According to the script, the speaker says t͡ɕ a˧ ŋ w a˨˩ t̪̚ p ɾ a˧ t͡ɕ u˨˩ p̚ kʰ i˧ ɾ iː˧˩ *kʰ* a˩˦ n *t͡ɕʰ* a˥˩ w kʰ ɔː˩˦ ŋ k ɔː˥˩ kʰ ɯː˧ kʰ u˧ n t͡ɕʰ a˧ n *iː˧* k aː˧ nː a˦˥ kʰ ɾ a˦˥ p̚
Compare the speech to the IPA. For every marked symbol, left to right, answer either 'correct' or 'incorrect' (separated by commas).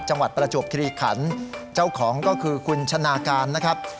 correct, incorrect, incorrect